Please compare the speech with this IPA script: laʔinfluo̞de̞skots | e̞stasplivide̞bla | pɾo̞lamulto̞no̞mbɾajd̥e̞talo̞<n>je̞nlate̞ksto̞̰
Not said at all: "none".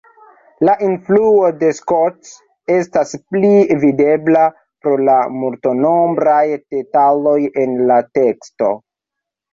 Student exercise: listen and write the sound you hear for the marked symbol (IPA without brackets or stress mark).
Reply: none